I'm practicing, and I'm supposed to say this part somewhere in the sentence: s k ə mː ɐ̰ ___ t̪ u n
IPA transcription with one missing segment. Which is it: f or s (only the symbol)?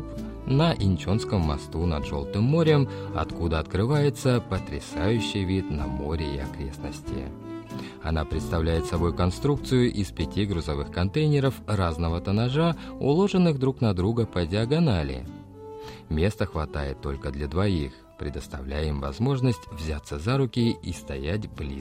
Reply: s